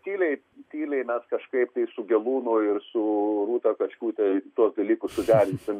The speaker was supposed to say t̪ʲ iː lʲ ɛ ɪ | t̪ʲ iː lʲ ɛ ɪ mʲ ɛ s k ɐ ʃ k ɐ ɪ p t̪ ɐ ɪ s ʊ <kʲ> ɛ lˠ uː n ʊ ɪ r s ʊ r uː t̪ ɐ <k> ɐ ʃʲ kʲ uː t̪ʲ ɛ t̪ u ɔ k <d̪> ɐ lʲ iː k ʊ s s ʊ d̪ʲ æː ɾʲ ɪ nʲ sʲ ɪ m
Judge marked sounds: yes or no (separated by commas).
no, yes, yes